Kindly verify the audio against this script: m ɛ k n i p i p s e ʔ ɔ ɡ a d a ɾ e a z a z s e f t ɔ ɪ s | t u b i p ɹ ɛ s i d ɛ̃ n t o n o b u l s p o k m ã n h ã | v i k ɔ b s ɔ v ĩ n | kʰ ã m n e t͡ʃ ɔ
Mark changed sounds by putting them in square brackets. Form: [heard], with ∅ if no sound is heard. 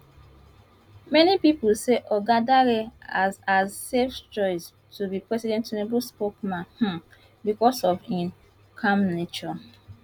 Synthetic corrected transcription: m ɛ [∅] n i p i p s e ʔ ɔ ɡ a d a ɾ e a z a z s e f [t͡ʃ] ɔ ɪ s | t u b i p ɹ ɛ s i d ɛ̃ n t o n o b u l s p o k m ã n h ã | [b] i k ɔ [∅] s ɔ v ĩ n | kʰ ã m n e t͡ʃ ɔ